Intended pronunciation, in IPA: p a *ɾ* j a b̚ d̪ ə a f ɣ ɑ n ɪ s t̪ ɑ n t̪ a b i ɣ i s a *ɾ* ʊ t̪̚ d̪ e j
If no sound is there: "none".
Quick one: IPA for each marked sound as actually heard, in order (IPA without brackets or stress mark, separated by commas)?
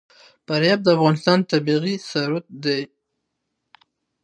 ɾ, ɾ